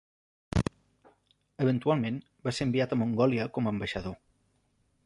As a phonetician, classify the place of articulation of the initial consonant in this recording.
labial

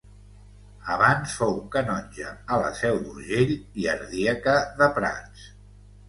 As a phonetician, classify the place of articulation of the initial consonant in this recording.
labial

